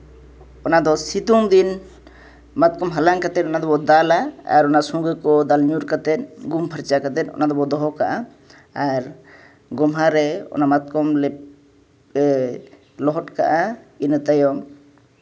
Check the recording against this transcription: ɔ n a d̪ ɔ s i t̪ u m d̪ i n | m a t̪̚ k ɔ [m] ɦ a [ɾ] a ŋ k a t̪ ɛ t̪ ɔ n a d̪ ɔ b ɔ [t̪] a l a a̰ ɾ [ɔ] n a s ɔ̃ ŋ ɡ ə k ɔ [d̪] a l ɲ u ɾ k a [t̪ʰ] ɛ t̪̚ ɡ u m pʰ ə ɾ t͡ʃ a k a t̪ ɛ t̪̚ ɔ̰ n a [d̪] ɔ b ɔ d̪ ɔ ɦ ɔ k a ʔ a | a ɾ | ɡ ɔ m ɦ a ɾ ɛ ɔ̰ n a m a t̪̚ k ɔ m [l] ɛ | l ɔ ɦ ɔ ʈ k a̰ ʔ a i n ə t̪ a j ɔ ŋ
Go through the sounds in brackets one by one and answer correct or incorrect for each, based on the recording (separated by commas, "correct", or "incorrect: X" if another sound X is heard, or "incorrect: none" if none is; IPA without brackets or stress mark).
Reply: correct, incorrect: l, incorrect: d̪, correct, correct, incorrect: t̪, correct, correct